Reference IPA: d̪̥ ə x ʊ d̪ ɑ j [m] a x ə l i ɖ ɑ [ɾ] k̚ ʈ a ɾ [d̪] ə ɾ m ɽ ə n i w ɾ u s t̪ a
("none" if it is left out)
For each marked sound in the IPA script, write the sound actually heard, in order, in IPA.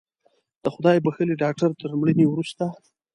b, none, t̪

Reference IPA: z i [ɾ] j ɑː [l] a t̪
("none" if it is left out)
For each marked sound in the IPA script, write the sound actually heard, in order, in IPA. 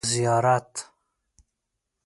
none, ɾ

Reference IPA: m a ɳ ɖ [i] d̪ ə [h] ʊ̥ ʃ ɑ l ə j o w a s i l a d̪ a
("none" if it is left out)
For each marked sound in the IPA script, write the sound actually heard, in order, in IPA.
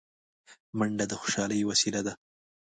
a, x

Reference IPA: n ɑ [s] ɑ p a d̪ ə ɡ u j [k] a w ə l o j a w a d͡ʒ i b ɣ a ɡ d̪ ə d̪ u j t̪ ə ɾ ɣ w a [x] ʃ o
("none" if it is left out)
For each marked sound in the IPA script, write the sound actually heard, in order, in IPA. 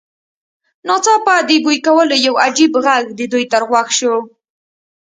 t͡s, k, x

